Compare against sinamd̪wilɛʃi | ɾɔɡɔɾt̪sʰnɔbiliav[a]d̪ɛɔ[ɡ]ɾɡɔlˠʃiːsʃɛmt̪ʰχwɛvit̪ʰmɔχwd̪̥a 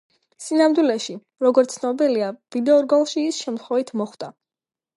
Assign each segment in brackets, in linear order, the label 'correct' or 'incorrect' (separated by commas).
incorrect, incorrect